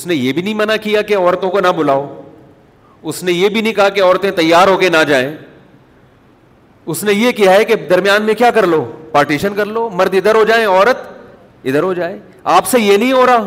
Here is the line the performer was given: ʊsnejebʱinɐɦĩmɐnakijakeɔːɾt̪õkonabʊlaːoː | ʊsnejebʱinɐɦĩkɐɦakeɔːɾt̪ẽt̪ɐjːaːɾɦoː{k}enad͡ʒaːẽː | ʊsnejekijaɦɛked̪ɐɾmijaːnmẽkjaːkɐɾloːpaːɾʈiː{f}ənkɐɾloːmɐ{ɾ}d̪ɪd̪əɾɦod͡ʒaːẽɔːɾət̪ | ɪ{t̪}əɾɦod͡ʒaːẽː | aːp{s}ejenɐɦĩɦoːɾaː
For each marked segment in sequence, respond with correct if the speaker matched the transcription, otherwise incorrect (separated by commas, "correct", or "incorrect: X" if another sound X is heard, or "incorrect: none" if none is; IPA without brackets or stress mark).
correct, incorrect: ʃ, correct, incorrect: d̪, correct